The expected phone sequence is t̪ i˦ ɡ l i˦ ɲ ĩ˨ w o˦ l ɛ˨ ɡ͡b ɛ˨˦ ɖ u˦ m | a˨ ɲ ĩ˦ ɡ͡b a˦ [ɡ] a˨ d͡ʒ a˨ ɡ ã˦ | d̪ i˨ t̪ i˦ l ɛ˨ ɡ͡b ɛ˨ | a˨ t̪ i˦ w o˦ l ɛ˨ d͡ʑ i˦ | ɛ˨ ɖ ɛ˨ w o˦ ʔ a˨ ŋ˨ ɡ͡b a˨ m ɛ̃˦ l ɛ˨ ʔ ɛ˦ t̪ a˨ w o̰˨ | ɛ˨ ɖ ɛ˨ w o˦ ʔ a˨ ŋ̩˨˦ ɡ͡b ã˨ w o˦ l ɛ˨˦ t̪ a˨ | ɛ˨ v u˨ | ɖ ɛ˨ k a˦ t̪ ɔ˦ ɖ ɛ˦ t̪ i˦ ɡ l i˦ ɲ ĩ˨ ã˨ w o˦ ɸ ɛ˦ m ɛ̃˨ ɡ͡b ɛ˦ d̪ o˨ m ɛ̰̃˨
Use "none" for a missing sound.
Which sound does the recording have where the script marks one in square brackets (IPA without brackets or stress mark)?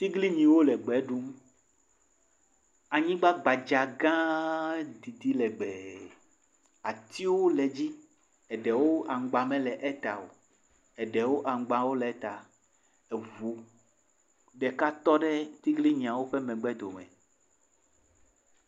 ɡ͡b